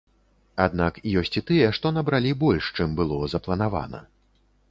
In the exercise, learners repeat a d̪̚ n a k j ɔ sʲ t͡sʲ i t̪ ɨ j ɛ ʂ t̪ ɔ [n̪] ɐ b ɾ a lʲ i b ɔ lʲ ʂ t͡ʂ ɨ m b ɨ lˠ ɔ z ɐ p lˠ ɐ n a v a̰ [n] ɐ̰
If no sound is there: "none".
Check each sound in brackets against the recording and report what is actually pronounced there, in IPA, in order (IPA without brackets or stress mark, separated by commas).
n̪, n